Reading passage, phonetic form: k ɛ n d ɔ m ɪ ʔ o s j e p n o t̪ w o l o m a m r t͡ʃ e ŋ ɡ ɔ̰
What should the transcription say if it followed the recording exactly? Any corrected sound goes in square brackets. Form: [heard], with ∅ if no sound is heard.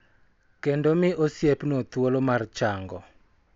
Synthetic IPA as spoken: k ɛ n d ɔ m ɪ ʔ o s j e p n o t̪ w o l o m a [∅] r t͡ʃ [a] ŋ ɡ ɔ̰